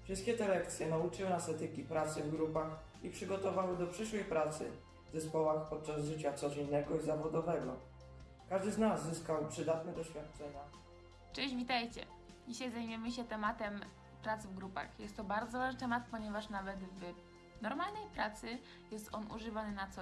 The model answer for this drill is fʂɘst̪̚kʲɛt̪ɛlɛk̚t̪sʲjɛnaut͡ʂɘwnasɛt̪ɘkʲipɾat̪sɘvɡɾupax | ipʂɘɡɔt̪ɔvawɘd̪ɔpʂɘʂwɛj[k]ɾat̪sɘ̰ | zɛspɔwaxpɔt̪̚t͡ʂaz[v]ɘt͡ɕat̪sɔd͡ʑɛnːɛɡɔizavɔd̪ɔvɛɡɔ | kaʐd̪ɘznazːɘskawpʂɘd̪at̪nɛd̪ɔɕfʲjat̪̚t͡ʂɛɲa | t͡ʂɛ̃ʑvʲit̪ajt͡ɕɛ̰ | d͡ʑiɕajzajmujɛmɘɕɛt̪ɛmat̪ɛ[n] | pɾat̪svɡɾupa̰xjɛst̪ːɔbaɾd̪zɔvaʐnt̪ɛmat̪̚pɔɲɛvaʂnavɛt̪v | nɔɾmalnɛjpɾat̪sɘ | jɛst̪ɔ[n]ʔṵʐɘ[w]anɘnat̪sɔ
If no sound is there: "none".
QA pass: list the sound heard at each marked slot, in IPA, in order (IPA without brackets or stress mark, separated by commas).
p, ʐ, m, n, v